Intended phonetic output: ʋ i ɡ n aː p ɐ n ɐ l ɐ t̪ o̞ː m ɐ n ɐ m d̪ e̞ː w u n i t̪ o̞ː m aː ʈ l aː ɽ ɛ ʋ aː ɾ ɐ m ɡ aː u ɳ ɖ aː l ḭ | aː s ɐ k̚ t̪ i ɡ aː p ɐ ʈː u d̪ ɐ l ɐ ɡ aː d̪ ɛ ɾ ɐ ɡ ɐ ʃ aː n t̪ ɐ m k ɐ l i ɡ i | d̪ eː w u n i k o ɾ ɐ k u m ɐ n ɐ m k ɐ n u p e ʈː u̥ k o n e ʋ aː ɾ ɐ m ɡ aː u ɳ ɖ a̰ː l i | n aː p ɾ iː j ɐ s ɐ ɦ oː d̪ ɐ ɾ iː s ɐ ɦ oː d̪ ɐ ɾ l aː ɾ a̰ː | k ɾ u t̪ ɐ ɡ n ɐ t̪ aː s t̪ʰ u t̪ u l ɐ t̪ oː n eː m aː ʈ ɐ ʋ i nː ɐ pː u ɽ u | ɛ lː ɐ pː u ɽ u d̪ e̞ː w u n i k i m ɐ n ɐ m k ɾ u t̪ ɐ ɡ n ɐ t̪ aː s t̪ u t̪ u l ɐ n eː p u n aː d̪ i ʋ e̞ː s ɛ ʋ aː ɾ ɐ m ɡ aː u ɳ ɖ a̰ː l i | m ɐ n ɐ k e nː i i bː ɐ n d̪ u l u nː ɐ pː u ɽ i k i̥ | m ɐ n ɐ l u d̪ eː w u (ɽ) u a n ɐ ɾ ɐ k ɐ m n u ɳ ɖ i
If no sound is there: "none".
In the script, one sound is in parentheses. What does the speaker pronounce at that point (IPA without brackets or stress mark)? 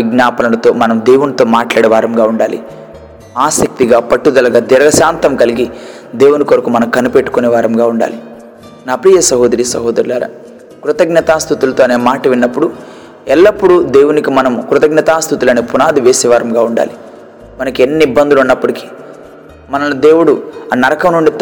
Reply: ɽ